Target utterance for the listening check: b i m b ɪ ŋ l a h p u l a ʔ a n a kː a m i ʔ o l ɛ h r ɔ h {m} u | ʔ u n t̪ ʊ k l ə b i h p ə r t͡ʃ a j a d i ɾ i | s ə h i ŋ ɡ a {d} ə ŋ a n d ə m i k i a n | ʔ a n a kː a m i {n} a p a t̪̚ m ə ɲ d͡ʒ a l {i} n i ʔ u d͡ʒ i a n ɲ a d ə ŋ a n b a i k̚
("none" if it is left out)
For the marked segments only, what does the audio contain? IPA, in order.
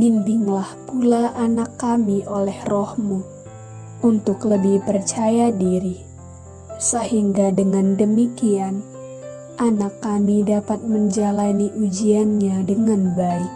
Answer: m, d, d, a

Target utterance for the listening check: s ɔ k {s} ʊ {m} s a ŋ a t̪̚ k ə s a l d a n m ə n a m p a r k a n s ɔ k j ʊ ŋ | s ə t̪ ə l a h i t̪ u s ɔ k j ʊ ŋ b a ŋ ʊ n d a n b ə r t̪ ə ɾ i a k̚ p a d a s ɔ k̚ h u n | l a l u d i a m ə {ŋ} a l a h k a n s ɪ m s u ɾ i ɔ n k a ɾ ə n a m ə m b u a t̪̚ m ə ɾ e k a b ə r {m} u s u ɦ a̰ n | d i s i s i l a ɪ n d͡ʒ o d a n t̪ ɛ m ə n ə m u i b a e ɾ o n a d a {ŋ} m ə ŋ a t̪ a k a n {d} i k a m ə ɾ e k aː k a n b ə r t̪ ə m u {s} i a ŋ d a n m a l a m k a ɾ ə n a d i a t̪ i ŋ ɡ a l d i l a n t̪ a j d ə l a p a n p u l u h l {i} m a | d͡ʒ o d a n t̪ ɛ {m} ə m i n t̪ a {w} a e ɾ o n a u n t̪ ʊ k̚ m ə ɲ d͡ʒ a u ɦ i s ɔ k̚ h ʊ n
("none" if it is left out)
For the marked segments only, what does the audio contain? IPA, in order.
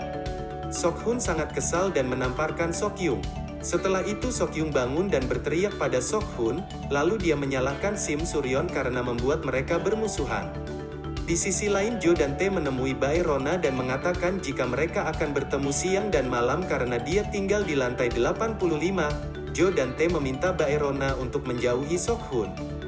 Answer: h, n, ɲ, m, n, d͡ʒ, s, i, m, b

